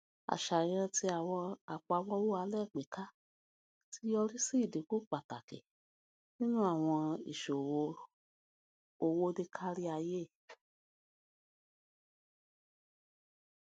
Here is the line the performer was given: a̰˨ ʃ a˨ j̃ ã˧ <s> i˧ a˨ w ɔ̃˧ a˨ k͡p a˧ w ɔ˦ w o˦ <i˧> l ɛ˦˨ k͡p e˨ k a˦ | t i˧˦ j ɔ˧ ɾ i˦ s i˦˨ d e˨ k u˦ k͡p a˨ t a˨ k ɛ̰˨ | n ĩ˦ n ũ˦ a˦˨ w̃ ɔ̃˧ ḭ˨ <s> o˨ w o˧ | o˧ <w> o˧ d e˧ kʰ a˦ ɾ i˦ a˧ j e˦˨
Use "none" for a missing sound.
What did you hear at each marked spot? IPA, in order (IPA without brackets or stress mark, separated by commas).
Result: t, a˧, ʃ, w